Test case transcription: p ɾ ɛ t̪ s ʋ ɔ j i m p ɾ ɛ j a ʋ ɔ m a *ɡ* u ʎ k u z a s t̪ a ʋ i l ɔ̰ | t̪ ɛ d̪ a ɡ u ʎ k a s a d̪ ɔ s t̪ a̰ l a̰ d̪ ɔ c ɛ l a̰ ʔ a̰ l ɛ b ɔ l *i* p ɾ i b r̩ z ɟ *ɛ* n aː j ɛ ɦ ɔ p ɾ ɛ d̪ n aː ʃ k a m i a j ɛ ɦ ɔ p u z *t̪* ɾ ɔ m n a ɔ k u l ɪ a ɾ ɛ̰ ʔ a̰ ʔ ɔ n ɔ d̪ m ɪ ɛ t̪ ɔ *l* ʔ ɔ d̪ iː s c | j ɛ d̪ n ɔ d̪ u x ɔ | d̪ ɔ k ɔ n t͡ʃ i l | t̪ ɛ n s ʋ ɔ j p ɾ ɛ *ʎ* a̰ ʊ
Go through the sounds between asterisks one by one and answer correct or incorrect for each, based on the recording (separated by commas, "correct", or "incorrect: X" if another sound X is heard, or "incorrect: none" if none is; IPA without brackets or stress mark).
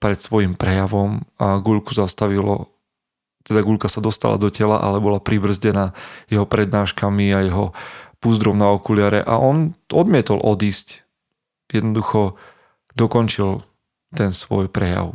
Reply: correct, incorrect: a, correct, incorrect: d̪, correct, incorrect: j